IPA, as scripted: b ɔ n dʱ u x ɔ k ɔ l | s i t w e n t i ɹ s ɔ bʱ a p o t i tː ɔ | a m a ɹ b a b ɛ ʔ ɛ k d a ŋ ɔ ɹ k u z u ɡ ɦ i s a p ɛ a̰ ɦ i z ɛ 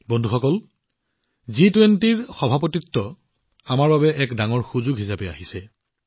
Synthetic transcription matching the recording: b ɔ n dʱ u x ɔ k ɔ l | z i t w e n t i ɹ x ɔ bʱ a p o t i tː ɔ | a m a ɹ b a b ɛ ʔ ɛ k d a ŋ ɔ ɹ x u z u ɡ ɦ i s a p ɛ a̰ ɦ i s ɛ